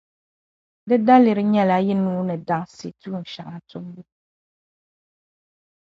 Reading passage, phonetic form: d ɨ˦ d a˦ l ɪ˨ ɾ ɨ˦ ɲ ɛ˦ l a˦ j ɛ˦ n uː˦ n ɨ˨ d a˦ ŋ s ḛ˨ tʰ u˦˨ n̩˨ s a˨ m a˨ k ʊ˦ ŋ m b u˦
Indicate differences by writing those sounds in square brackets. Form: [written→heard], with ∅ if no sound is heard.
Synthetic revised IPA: d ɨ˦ d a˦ l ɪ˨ ɾ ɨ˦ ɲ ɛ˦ l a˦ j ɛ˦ n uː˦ n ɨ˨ d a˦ ŋ s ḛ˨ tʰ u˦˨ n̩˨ [s→ʃ] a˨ [m→ŋ] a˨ [k→t] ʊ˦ [ŋ→∅] m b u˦